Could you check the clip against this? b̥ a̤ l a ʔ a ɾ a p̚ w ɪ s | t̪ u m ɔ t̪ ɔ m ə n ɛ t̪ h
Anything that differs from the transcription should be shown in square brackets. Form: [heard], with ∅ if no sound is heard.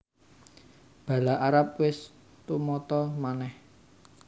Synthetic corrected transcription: b̥ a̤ l a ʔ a ɾ a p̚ w ɪ s | t̪ u m ɔ t̪ ɔ m [a] n ɛ [∅] h

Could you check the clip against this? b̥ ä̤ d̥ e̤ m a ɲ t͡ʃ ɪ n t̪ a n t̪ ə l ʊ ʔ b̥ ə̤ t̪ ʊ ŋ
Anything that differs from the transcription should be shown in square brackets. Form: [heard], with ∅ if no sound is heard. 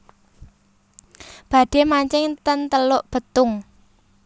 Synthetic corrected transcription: b̥ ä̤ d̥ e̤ m a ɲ t͡ʃ ɪ [ŋ] t̪ [ə] n t̪ ə l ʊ ʔ b̥ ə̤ t̪ ʊ ŋ

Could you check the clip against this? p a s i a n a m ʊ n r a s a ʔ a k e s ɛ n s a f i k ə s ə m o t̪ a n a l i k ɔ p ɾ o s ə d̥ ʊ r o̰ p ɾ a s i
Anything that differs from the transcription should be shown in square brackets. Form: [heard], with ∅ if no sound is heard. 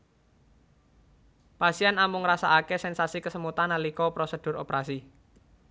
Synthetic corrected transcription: p a s i a n a m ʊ [ŋ] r a s a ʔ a k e s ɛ n s a [s] i k ə s ə m [u] t̪ a n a l i k ɔ p ɾ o s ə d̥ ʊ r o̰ p ɾ a s i

